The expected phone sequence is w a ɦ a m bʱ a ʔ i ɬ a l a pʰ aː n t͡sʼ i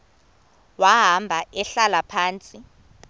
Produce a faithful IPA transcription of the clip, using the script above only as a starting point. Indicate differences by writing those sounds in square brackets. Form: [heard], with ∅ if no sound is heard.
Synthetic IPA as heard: w a ɦ a m bʱ a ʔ [ɛ] ɬ a l a pʰ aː n t͡sʼ i